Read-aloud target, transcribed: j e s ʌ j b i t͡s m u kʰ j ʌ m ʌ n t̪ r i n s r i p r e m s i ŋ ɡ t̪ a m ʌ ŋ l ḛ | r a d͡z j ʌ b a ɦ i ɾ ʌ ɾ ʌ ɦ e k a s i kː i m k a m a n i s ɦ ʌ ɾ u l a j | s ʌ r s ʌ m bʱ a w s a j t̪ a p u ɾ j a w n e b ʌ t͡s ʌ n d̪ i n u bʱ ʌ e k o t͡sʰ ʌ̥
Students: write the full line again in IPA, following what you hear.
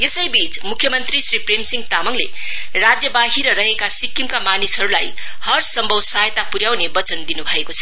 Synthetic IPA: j e s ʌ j b i t͡s m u kʰ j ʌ m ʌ n t̪ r i s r i p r e m s i ŋ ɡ t̪ a m ʌ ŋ l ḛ | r a d͡z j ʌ b a ɦ i ɾ ʌ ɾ ʌ ɦ e k a s i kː i m k a m a n i s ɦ ʌ ɾ u l a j | h ʌ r s ʌ m bʱ ʌ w s a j t̪ a p u ɾ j a w n e b ʌ t͡s ʌ n d̪ i n u bʱ ʌ e k o t͡sʰ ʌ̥

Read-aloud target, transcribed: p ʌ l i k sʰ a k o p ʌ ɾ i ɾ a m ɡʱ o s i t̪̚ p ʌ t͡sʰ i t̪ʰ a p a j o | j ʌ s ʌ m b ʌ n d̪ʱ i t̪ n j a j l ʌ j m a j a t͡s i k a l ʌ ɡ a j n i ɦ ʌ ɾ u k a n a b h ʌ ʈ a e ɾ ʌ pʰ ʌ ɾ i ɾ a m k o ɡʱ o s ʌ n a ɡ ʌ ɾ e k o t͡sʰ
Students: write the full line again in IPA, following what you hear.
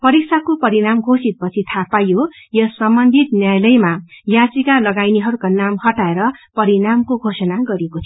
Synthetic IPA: p ʌ ɾ i k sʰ a k o p ʌ ɾ i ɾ a m ɡʱ o s i t̪̚ p ʌ t͡sʰ i t̪ʰ a p a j o | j ʌ s ʌ m b ʌ n d̪ʱ i t̪ n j a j l ʌ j m a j a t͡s i k a l ʌ ɡ a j n i ɦ ʌ ɾ u k a n a m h ʌ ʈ a e ɾ ʌ p ʌ ɾ i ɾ a m k o ɡʱ o s ʌ n a ɡ ʌ ɾ e k o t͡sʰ

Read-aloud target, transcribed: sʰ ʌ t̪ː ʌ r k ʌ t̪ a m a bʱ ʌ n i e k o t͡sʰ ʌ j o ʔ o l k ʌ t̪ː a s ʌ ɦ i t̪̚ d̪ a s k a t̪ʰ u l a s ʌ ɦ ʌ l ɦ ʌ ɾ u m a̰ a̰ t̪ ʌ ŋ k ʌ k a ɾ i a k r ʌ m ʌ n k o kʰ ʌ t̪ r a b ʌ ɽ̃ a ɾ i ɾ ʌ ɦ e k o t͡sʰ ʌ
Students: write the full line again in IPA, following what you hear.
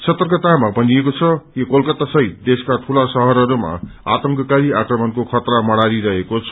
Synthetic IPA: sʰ ʌ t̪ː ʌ r k ʌ t̪ a m a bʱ ʌ n i e k o t͡sʰ ʌ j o k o l k ʌ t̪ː a s ʌ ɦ i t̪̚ d̪ e s k a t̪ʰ u l a s ʌ ɦ ʌ ɾ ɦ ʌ ɾ u m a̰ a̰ t̪ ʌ ŋ k ʌ k a ɾ i a k r ʌ m ʌ n k o kʰ ʌ t̪ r a m ʌ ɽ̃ a ɾ i ɾ ʌ ɦ e k o t͡sʰ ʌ

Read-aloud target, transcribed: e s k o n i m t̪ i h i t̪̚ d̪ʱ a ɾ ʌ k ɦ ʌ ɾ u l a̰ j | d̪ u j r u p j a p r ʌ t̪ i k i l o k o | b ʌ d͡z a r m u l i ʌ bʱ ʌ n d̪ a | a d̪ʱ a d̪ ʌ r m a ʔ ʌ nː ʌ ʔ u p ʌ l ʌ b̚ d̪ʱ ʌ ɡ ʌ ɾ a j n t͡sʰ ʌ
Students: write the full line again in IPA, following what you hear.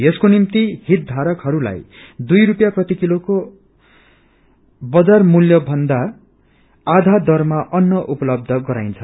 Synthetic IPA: e s k o n i m t̪ i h i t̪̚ d̪ʱ a ɾ ʌ k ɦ ʌ ɾ u l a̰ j | d̪ u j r u p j a p r ʌ t̪ i k i l o k o | b ʌ d͡z a r m u l j ʌ bʱ ʌ n d̪ a | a d̪ʱ a d̪ ʌ r m a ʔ ʌ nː ʌ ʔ u p ʌ l ʌ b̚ d̪ʱ ʌ ɡ ʌ ɾ a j n t͡sʰ ʌ

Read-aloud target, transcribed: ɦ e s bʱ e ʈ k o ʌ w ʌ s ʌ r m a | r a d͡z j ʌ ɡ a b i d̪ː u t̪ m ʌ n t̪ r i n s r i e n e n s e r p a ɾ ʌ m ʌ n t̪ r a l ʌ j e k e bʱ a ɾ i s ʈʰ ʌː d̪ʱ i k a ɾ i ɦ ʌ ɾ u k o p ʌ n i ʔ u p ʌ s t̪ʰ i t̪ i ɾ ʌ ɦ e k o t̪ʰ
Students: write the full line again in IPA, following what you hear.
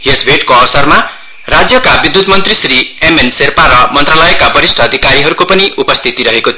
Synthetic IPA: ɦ e s bʱ e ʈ k o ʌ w ʌ s ʌ r m a | r a d͡z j ʌ k a b i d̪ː u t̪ m ʌ n t̪ r i s r i e m e n s e r p a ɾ ʌ m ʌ n t̪ r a l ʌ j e k a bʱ ʌ ɾ i s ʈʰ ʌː d̪ʱ i k a ɾ i ɦ ʌ ɾ u k o p ʌ n i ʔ u p ʌ s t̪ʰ i t̪ i ɾ ʌ ɦ e k o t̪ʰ

